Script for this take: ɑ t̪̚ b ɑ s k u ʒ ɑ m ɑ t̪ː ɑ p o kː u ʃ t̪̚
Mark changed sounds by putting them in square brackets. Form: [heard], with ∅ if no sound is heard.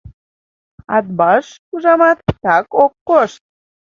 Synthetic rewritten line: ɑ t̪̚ b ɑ [ʃ] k u ʒ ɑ m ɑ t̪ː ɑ [k] o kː [o] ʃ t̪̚